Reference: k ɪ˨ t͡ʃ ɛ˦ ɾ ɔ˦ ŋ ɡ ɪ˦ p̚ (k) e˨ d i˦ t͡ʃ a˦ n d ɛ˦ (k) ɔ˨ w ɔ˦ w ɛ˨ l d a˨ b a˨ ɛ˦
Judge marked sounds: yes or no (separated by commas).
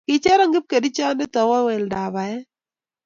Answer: yes, no